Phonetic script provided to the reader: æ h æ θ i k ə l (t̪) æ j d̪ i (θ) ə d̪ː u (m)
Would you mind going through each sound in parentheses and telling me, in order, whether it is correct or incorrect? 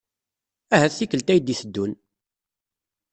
correct, correct, incorrect: n

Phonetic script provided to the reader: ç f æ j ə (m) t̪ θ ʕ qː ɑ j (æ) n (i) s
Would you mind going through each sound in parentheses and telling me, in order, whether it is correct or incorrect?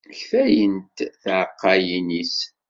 incorrect: n, incorrect: i, correct

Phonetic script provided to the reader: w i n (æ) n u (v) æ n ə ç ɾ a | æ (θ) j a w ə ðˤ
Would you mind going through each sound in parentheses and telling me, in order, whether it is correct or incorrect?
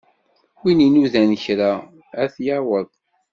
incorrect: i, incorrect: ð, correct

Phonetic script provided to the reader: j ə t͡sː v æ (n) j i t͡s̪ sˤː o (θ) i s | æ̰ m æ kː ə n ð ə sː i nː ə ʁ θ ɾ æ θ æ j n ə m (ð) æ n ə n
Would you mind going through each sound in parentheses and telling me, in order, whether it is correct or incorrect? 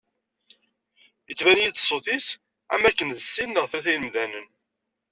correct, correct, correct

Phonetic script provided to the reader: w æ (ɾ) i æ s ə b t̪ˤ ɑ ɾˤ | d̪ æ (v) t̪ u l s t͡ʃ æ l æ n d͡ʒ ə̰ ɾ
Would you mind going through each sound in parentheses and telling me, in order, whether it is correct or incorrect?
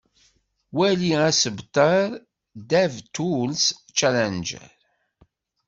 incorrect: l, correct

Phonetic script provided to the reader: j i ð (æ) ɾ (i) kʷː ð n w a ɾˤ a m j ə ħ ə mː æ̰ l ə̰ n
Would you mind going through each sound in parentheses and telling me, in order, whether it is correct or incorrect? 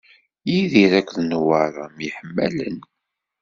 incorrect: i, incorrect: æ

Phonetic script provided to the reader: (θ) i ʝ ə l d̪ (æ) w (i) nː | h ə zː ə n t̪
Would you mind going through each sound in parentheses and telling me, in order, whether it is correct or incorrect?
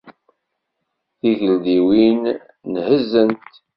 correct, incorrect: i, correct

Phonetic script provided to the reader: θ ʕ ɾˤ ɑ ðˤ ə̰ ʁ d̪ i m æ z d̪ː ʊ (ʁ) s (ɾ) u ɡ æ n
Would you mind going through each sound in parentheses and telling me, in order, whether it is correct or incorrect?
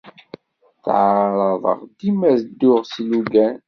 correct, incorrect: l

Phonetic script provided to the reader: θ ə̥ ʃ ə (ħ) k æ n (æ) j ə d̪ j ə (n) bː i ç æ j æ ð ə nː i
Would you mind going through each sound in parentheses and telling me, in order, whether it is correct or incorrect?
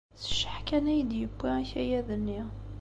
correct, correct, incorrect: none

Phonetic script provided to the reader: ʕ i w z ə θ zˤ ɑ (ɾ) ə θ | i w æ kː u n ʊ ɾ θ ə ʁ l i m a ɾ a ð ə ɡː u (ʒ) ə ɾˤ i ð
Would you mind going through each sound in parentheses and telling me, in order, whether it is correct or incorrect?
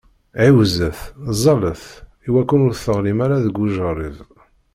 incorrect: l, correct

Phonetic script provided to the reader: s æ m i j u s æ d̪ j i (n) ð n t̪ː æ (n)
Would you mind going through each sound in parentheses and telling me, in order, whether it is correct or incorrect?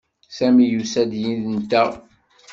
correct, incorrect: none

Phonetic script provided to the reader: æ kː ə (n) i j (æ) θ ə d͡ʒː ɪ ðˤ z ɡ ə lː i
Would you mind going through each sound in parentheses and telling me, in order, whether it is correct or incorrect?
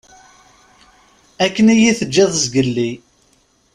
correct, incorrect: i

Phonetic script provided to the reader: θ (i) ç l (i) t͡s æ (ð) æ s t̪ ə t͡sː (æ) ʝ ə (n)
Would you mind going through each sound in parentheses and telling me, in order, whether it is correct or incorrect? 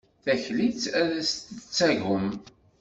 incorrect: æ, correct, correct, correct, incorrect: m

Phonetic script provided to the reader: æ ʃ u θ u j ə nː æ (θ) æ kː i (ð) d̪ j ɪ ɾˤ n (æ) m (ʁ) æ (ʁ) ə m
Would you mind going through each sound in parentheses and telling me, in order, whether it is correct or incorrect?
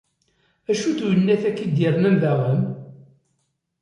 correct, incorrect: none, correct, incorrect: ð, correct

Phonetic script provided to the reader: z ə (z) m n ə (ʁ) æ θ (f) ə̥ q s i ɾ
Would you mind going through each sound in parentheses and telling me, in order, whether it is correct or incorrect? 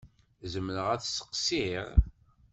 incorrect: none, correct, incorrect: s

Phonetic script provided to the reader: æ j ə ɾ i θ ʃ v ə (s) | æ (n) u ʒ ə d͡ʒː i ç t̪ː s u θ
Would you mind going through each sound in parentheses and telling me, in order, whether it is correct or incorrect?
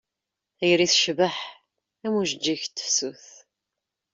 incorrect: ħ, incorrect: m

